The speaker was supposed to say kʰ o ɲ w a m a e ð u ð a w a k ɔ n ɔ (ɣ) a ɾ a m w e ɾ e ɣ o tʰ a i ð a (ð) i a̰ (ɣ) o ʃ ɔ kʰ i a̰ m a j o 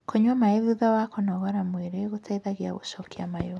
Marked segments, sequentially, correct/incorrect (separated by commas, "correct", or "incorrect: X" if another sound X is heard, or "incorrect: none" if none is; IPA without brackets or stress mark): correct, incorrect: ɣ, correct